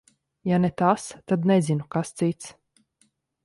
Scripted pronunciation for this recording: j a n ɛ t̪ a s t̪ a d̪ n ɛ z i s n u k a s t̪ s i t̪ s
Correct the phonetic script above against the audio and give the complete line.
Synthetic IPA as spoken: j a n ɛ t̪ a s t̪ a d̪ n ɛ z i n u k a s t̪ s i t̪ s